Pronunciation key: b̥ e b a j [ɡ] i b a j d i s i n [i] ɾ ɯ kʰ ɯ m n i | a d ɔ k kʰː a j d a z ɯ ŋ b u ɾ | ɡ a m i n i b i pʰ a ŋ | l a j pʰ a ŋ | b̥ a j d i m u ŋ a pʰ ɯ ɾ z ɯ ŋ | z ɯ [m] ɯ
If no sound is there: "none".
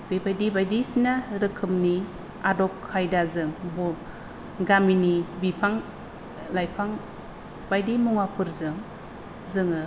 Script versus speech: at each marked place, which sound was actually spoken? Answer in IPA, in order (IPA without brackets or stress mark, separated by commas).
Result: d, a, ŋ